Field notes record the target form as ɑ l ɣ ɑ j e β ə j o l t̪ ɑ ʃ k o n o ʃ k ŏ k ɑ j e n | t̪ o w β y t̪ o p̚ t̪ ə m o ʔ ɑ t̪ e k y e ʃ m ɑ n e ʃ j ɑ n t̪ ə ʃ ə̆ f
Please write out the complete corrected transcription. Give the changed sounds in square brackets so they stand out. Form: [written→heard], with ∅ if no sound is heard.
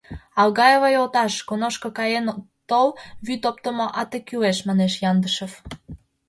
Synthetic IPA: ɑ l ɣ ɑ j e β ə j o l t̪ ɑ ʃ k o n o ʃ k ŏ k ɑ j e n | t̪ o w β y t̪ o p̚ t̪ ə m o ʔ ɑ t̪ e k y e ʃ m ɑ n e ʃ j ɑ n [t̪→d̪] ə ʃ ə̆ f

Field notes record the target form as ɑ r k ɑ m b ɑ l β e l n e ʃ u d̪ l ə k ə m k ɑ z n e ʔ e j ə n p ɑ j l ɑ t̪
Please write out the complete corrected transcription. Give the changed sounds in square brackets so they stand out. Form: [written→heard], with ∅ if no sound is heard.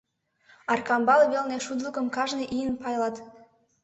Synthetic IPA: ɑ r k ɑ m b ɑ l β e l n e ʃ u d̪ l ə k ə m k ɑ [z→ʒ] n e ʔ [e→i] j ə n p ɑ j l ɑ t̪

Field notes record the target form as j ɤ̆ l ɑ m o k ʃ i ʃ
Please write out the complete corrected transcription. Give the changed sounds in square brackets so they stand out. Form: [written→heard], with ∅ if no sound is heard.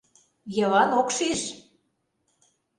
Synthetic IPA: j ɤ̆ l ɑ [m→n] o k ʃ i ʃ

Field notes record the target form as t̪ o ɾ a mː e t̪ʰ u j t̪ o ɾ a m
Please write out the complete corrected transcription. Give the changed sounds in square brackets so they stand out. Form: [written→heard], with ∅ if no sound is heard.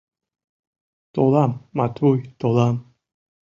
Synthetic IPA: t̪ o [ɾ→l] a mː [e→a] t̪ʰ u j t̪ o [ɾ→l] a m

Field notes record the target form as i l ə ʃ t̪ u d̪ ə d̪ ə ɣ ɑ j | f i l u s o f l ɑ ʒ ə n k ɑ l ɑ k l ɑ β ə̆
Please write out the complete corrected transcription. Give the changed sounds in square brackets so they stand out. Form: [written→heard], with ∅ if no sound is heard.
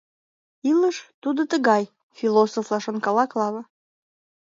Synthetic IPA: i l ə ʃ t̪ u d̪ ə [d̪→t̪] ə ɣ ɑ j | f i l [u→o] s o f l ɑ [ʒ→ʃ] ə n k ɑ l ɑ k l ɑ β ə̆

